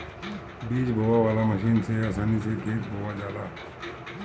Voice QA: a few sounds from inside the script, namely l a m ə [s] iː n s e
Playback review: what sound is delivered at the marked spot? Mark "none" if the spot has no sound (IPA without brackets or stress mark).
ʃ